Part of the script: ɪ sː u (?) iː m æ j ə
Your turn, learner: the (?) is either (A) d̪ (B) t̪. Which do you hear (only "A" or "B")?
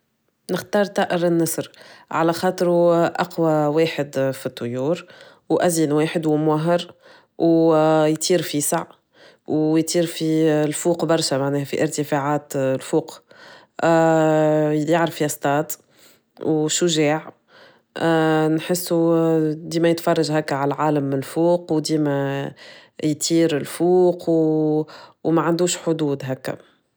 A